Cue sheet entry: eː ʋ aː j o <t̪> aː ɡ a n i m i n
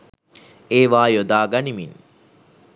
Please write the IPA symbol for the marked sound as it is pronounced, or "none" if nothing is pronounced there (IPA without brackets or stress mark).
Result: d̪